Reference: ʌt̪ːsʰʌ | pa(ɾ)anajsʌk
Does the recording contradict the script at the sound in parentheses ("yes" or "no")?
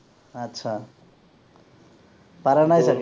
no